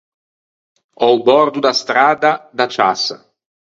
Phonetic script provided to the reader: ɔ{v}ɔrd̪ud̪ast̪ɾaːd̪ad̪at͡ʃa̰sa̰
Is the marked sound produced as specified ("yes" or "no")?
no